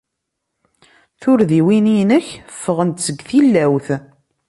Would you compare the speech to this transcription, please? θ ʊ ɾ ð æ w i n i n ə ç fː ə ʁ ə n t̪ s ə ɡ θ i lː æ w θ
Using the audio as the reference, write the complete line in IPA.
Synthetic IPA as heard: θ ʊ ɾ ð i w i n i n ə ç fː ə ʁ ə n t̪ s ə ɡ θ i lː æ w θ